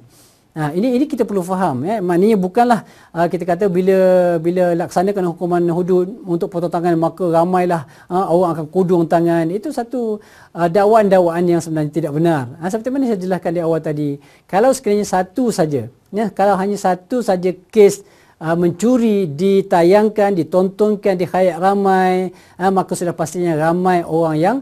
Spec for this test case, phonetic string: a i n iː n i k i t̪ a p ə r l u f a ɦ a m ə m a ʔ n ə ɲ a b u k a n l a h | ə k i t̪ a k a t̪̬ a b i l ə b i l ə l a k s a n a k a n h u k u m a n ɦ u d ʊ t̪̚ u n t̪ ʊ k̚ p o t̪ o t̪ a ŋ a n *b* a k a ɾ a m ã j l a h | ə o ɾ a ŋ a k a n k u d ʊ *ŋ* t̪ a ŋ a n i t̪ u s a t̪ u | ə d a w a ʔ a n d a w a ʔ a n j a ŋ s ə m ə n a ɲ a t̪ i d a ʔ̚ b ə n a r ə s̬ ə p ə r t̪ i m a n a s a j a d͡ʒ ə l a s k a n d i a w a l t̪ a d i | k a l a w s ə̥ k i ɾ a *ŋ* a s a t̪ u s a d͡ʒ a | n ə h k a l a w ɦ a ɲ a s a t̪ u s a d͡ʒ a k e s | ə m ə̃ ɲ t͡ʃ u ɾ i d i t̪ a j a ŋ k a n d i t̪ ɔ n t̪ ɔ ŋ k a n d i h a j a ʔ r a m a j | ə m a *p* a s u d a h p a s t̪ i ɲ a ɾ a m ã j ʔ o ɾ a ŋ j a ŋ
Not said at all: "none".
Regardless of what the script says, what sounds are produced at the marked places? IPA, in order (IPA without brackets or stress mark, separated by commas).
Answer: m, ŋ, ɲ, k